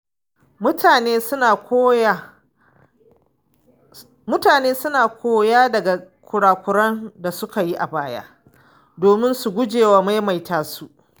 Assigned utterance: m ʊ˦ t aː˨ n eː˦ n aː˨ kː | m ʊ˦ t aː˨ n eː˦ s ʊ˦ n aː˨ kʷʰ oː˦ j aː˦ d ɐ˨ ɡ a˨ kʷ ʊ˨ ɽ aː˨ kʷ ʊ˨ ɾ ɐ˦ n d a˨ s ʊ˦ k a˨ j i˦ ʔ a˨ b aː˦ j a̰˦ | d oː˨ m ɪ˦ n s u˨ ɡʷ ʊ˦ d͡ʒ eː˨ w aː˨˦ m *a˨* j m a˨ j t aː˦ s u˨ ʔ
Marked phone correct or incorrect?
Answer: incorrect